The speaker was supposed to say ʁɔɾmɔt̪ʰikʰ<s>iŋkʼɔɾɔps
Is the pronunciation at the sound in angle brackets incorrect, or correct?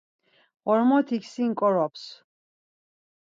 correct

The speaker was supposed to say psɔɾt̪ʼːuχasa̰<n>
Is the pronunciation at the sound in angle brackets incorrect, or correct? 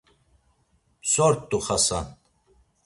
correct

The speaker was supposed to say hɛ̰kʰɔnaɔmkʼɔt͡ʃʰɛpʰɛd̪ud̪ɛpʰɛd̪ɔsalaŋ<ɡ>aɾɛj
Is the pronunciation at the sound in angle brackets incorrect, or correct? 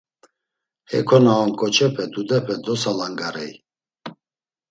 correct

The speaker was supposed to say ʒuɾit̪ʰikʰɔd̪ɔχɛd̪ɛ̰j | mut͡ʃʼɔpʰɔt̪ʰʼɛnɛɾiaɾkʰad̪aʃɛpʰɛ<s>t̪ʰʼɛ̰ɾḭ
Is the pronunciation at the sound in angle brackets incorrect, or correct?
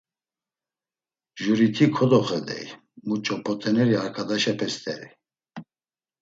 correct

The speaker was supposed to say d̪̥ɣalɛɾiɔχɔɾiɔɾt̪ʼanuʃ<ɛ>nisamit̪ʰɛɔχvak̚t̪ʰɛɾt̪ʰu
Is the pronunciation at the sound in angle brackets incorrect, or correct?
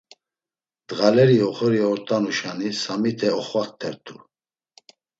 incorrect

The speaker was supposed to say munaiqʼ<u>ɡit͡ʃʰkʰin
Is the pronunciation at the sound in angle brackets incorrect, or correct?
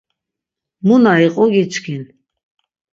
incorrect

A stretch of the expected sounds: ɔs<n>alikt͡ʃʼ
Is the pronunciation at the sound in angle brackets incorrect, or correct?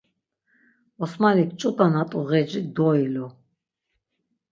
incorrect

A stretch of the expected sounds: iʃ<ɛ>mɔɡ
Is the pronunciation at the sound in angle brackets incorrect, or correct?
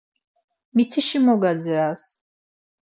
incorrect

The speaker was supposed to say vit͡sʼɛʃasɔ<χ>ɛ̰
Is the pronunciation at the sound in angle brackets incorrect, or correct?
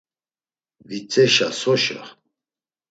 incorrect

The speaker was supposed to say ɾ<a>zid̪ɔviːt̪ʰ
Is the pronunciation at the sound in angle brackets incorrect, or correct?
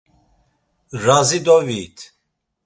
correct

